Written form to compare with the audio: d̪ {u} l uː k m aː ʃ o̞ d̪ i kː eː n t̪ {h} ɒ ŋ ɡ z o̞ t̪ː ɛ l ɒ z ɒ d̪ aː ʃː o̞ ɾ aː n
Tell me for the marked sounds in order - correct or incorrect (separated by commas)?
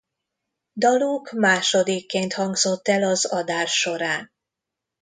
incorrect, correct